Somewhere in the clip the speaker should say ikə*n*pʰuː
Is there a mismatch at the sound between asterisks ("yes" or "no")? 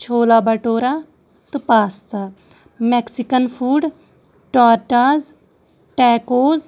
no